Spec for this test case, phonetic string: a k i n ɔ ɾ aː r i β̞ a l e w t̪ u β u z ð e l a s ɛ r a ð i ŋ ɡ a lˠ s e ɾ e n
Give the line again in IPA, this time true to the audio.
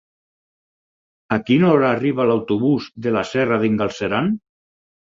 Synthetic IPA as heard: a k i n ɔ ɾ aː r i β̞ a l a w t̪ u β u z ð e l a s ɛ r a ð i ŋ ɡ a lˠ s e ɾ a n